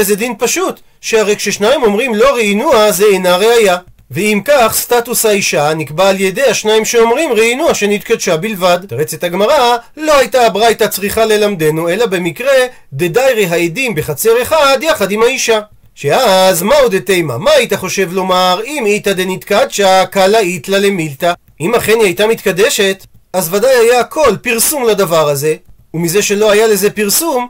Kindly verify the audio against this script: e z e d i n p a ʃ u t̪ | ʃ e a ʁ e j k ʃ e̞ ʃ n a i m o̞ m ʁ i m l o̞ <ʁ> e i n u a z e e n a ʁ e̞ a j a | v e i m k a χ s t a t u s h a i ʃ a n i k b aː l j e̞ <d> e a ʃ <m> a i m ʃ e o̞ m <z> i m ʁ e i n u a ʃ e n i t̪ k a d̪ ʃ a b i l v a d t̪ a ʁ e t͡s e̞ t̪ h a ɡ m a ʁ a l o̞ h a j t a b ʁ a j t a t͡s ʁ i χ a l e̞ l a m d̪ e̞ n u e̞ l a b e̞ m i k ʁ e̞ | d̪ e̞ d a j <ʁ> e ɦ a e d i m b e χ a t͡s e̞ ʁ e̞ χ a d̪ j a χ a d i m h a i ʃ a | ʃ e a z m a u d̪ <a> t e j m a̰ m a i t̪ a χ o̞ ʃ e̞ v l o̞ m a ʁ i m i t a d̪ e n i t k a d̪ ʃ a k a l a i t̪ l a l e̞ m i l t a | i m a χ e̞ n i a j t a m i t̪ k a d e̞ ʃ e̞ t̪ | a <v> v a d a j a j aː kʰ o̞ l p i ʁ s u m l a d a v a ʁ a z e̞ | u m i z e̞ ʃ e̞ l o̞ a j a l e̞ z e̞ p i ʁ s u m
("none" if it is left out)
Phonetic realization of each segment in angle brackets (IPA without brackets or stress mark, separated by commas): ʁ, d, n, ʁ, ʁ, e, z